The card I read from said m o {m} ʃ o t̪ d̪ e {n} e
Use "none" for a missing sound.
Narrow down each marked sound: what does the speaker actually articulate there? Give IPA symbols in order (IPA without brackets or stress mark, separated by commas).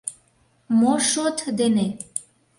none, n